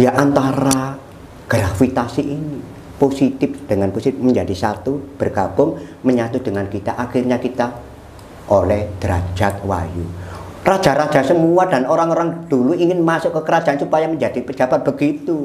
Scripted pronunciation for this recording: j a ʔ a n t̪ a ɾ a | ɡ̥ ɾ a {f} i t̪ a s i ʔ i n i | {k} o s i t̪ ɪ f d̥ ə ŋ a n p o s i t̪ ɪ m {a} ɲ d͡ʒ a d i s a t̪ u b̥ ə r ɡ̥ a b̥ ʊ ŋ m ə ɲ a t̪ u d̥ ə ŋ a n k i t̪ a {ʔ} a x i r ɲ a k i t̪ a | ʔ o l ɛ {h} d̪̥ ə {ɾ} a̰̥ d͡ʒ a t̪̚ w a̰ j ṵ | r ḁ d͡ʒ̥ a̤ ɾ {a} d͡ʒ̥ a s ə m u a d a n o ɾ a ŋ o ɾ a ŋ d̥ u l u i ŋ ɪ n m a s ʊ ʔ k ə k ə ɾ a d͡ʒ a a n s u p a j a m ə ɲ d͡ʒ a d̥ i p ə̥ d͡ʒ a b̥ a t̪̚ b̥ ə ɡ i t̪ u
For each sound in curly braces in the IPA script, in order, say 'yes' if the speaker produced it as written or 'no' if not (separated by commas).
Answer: yes, no, no, yes, yes, yes, yes